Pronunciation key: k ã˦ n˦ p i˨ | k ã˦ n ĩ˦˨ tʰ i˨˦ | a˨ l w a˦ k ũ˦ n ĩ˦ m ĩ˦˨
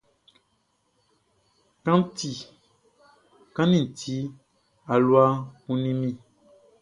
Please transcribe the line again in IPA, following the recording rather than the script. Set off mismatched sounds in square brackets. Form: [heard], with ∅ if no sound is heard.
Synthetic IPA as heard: k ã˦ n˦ [t] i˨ | k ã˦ n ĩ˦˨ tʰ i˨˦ | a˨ l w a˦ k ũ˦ n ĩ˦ m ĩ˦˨